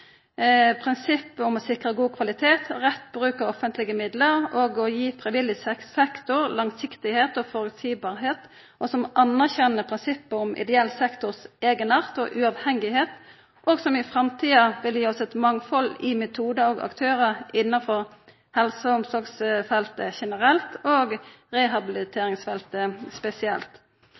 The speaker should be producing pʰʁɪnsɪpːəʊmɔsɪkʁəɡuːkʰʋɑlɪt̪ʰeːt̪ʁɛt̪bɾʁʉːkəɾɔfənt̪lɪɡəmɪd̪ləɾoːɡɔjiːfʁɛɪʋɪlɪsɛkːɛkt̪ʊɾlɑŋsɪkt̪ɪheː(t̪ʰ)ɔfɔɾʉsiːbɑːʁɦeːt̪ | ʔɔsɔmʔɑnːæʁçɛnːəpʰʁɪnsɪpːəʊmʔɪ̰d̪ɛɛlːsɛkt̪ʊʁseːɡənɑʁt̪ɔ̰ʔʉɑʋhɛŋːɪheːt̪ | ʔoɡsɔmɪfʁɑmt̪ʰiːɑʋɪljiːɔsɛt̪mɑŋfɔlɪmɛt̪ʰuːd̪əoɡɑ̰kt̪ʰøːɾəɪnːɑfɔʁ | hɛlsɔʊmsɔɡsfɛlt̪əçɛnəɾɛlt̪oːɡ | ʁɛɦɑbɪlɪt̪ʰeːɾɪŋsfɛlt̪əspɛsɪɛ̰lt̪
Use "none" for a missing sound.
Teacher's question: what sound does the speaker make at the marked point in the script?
t̪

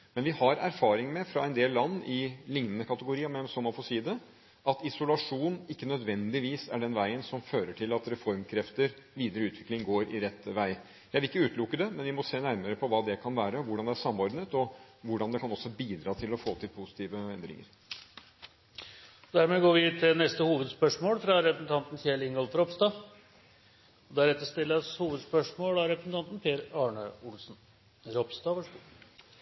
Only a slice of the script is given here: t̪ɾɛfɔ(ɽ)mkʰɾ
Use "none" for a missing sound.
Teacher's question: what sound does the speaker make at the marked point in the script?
ɾ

